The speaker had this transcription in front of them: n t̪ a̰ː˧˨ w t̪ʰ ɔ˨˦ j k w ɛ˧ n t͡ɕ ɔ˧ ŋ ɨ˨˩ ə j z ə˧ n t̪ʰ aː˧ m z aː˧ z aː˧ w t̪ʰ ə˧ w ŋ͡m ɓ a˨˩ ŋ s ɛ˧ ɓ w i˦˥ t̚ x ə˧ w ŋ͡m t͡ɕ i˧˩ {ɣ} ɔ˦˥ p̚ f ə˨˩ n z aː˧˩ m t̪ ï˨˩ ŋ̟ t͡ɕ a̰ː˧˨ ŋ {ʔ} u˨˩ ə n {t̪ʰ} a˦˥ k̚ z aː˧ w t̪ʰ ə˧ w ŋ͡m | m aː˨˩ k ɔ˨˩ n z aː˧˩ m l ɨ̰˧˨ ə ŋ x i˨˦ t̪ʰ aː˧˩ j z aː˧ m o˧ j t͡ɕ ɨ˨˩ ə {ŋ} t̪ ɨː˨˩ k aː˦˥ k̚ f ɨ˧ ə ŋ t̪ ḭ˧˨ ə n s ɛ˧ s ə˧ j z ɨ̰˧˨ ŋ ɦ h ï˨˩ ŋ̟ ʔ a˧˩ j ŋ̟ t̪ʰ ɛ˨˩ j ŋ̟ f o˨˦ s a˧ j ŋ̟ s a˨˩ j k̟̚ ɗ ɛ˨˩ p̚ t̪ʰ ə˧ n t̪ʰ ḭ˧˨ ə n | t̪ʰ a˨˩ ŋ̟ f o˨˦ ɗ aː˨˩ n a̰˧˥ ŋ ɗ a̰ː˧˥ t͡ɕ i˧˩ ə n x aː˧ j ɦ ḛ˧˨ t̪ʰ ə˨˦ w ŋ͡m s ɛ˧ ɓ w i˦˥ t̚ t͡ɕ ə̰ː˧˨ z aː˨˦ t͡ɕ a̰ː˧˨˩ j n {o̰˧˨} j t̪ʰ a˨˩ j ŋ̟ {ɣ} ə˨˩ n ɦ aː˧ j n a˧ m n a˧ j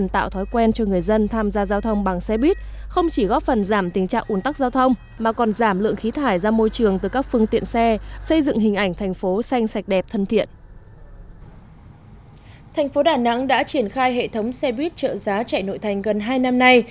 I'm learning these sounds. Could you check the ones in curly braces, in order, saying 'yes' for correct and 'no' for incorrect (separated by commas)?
yes, yes, no, yes, yes, yes